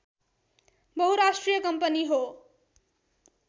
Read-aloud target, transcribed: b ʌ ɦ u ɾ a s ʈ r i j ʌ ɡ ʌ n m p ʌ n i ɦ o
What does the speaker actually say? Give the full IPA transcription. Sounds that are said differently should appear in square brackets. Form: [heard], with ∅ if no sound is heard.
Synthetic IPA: b ʌ ɦ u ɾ a s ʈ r i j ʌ [k] ʌ [∅] m p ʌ n i ɦ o